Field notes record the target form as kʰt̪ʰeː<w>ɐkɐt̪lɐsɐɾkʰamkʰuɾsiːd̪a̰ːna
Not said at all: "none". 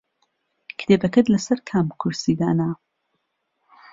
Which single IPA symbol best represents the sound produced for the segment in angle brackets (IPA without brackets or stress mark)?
b